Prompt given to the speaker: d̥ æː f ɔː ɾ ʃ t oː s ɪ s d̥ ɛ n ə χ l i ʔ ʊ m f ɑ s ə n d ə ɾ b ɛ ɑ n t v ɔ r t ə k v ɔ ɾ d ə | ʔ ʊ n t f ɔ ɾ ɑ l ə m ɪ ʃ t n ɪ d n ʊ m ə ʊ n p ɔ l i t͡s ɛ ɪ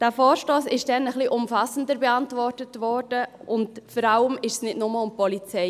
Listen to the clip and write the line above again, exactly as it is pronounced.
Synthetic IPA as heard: d̥ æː f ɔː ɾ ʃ t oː s ɪ ʃ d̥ ɛ n ə χ l i ʔ ʊ m f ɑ s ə n d ə ɾ b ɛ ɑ n t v ɔ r t ə t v ɔ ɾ d ə | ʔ ʊ n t f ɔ ɾ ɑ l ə m ɪ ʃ s n ɪ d n ʊ m ə ʊ m p ɔ l i t͡s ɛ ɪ